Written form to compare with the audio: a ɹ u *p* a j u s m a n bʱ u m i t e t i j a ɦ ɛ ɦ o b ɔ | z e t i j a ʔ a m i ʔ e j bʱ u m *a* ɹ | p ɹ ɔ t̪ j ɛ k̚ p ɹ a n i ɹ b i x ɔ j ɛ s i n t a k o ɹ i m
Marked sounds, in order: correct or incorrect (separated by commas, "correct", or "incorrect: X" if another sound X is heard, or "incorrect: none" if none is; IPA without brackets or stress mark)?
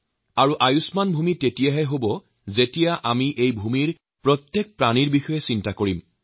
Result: incorrect: ʔ, incorrect: i